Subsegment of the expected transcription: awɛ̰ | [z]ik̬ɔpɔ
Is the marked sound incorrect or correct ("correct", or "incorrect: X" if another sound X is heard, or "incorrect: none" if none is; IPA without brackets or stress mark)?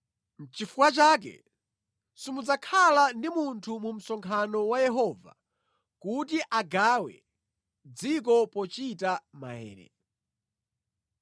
incorrect: d͡z